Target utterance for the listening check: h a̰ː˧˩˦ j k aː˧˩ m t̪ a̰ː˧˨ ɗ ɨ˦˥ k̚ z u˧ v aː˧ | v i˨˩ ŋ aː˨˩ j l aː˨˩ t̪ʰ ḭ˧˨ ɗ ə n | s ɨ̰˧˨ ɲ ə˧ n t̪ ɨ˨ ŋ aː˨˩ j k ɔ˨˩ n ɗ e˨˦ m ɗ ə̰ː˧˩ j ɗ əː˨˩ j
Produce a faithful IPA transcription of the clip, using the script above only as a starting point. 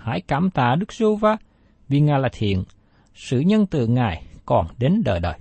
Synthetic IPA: h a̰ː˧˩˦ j k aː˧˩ m t̪ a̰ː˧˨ ɗ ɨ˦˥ k̚ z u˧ v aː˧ | v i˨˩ ŋ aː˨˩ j l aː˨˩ t̪ʰ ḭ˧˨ ə n | s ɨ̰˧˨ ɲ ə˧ n t̪ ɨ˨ ŋ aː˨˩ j k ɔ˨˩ n ɗ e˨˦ n ɗ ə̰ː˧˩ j ɗ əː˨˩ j